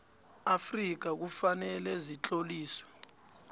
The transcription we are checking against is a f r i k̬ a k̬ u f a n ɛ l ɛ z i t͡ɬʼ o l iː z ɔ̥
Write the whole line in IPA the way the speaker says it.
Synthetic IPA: a f r i k̬ a k̬ u f a n ɛ l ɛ z i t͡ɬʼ o l iː s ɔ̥